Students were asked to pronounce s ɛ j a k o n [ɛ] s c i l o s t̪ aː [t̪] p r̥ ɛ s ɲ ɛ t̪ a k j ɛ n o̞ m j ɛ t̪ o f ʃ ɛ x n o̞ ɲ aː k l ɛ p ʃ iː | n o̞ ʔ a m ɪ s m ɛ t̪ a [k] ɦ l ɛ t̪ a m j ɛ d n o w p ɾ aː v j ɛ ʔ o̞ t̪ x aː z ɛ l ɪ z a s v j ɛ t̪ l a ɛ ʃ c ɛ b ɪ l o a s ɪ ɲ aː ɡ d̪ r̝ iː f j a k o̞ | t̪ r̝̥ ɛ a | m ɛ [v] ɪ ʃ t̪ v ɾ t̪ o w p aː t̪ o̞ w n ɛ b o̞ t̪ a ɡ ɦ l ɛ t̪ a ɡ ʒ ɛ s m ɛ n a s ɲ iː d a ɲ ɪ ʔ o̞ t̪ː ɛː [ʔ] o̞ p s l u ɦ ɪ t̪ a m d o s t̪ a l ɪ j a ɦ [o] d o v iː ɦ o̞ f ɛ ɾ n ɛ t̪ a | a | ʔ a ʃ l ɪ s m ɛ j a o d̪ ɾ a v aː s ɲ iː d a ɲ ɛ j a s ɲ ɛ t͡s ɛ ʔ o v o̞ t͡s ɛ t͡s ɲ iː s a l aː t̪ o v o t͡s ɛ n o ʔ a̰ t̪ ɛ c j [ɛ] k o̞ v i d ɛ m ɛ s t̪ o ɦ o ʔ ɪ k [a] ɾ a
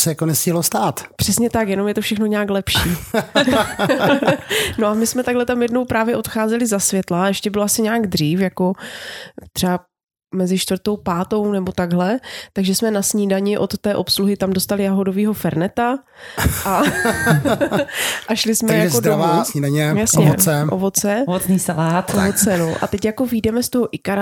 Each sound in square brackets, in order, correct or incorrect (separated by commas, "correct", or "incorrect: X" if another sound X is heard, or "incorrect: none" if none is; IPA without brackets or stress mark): correct, correct, incorrect: ɡ, incorrect: z, correct, correct, incorrect: a, correct